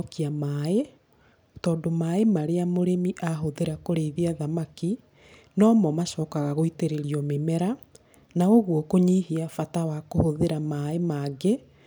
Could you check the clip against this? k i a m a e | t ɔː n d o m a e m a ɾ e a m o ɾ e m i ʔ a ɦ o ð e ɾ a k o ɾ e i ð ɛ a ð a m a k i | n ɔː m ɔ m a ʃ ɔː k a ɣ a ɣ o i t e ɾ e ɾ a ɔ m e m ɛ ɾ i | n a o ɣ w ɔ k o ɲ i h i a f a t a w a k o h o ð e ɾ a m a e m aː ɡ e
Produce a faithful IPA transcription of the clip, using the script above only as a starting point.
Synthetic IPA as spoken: k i a m a e | t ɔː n d o m a e m a ɾ e a m o ɾ e m i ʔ a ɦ o ð e ɾ a k o ɾ e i ð i a ð a m a k i | n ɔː m ɔ m a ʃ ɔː k a ɣ a ɣ o i t e ɾ e ɾ i ɔ m e m ɛ ɾ a | n a o ɣ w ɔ k o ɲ i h i a f a t a w a k o h o ð e ɾ a m a e m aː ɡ e

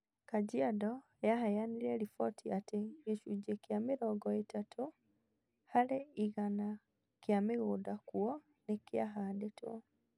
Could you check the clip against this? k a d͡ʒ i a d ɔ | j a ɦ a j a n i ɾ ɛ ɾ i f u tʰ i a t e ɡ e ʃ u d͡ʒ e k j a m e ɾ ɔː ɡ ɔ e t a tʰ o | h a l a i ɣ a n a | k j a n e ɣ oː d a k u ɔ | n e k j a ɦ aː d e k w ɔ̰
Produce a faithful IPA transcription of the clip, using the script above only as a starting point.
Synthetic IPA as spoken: k a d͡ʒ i a d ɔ | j a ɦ a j a n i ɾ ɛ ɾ i f ɔ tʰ i a t e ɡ e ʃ u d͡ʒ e k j a m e ɾ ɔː ɡ ɔ e t a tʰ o | h a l e i ɣ a n a | k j a m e ɣ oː d a k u ɔ | n e k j a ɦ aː d e t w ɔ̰

